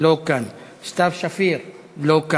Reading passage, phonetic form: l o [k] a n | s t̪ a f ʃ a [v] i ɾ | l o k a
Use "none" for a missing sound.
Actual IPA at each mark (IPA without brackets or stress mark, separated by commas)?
k, f